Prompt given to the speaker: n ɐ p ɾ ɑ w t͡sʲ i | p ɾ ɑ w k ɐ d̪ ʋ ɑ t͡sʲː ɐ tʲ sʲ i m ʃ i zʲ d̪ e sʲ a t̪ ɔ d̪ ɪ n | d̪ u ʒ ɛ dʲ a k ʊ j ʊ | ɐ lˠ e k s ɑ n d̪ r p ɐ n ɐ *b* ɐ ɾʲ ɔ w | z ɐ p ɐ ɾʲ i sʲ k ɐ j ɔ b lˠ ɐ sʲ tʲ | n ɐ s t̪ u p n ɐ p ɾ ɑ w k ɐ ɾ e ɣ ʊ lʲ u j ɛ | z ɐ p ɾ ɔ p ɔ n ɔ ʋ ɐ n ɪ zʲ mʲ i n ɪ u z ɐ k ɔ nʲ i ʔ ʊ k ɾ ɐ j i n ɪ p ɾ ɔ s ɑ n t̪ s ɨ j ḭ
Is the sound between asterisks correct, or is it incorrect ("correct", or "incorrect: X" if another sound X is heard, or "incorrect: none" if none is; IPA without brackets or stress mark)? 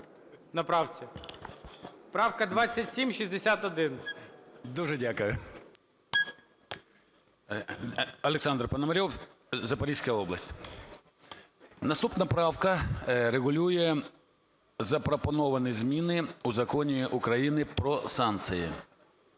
incorrect: m